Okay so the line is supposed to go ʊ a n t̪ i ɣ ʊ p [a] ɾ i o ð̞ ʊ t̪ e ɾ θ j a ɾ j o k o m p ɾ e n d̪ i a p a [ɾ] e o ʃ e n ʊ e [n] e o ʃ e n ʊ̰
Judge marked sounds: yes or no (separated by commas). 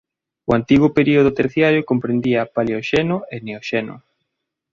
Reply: no, no, yes